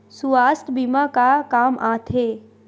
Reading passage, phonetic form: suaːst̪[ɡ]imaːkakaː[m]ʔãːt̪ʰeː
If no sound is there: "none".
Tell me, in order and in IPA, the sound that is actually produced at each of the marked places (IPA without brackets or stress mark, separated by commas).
b, m